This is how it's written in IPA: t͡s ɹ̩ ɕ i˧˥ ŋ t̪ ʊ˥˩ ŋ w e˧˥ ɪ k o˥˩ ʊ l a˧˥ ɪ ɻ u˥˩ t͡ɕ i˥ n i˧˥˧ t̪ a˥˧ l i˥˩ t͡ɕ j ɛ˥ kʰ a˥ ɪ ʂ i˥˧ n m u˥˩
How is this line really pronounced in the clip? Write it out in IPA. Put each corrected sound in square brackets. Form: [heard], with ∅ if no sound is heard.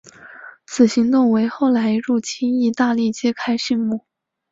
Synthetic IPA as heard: [t͡sʰ] ɹ̩ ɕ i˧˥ ŋ t̪ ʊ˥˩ ŋ w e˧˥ ɪ [x] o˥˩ ʊ l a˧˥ ɪ ɻ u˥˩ [t͡ɕʰ] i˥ n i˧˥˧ t̪ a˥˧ l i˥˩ t͡ɕ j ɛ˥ kʰ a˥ ɪ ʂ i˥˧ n m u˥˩

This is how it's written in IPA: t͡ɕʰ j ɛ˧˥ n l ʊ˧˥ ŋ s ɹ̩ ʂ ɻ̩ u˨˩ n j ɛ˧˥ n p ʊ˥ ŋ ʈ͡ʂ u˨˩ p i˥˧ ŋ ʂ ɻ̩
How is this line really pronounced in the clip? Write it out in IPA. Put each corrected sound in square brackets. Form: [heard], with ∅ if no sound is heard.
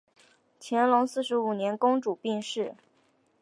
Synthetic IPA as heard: t͡ɕʰ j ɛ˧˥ n l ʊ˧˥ ŋ s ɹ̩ ʂ ɻ̩ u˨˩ n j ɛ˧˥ n [k] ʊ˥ ŋ ʈ͡ʂ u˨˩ p i˥˧ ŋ ʂ ɻ̩

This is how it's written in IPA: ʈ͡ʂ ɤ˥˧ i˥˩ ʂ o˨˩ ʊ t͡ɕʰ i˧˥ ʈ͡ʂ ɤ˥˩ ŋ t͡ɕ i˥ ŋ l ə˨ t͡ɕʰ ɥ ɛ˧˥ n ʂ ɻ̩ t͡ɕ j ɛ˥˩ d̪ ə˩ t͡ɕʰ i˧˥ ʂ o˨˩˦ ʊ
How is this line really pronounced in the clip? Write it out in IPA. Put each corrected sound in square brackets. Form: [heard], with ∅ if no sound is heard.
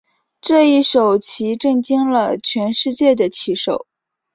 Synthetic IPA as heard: ʈ͡ʂ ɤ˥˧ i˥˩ ʂ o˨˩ ʊ t͡ɕʰ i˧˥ ʈ͡ʂ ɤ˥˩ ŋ t͡ɕ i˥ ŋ l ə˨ t͡ɕʰ ɥ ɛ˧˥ n ʂ ɻ̩ t͡ɕ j ɛ˥˩ d̪ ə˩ t͡ɕʰ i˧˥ ʂ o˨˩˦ ʊ

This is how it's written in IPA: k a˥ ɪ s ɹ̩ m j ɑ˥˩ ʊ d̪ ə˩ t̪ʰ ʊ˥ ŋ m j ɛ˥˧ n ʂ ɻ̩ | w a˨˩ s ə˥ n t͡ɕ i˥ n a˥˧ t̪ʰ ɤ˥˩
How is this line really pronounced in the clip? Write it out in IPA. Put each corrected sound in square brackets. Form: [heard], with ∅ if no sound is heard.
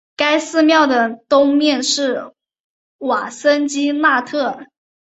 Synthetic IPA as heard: k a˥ ɪ s ɹ̩ m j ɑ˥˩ ʊ d̪ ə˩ [t̪] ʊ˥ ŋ m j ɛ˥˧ n ʂ ɻ̩ | w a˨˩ s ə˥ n t͡ɕ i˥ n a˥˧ t̪ʰ ɤ˥˩

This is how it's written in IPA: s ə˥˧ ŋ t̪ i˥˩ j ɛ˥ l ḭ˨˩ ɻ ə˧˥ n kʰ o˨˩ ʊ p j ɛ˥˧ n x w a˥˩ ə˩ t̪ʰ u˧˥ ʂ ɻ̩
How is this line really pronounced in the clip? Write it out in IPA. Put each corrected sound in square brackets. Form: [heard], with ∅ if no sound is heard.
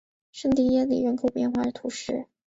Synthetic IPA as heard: [ʂ] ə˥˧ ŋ t̪ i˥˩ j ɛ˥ l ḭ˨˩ ɻ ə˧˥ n kʰ o˨˩ ʊ p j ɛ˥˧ n x w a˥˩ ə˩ t̪ʰ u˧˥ ʂ ɻ̩

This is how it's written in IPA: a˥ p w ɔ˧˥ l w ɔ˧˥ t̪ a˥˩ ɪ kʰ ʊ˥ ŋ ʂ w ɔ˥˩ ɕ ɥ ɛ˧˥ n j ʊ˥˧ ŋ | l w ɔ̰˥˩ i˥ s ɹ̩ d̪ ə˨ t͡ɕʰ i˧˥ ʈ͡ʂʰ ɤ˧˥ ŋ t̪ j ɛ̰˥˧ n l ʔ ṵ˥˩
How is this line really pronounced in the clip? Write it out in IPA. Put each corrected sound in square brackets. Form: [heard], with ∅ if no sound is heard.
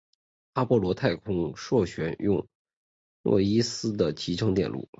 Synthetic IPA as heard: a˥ p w [ɔ˥˩] l w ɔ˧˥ [t̪ʰ] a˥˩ ɪ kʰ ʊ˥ ŋ ʂ w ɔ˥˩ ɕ ɥ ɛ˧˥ n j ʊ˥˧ ŋ | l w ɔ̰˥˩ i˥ s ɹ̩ d̪ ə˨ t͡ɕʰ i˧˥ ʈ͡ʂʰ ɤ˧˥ ŋ t̪ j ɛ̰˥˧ n l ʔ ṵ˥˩

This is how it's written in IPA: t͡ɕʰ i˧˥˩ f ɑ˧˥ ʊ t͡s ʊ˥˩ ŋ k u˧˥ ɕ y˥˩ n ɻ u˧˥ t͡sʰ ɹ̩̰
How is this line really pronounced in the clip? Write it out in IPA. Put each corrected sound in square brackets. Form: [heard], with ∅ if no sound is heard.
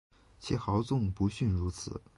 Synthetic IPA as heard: t͡ɕʰ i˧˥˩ [x] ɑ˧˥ ʊ t͡s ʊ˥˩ ŋ [p] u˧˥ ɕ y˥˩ n ɻ u˧˥ t͡sʰ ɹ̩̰

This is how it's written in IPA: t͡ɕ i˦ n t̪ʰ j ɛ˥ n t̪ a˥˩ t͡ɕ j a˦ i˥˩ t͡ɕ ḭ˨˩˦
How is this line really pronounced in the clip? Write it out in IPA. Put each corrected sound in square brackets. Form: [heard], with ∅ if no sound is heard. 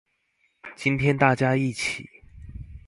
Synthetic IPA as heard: t͡ɕ i˦ n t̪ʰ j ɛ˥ n t̪ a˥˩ t͡ɕ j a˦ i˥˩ [t͡ɕʰ] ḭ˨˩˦

